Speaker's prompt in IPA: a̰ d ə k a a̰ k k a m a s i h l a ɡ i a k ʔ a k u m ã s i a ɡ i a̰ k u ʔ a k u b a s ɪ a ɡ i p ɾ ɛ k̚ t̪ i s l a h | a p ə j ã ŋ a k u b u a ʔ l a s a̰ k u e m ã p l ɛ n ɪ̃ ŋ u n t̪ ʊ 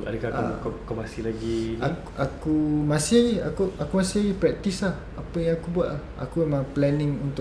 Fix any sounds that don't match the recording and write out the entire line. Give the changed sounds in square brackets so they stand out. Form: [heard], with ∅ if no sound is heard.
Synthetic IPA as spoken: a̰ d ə k a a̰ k k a m a s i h l a ɡ i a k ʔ a k u m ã s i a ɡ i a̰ k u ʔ a k u [m] a s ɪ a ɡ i p ɾ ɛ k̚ t̪ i s l a h | a p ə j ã ŋ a k u b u a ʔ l a [h] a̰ k u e m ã p l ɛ n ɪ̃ ŋ u n t̪ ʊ